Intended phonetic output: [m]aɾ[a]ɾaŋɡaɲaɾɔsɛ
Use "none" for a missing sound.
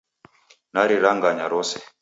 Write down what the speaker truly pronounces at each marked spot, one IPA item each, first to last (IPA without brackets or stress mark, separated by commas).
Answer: n, i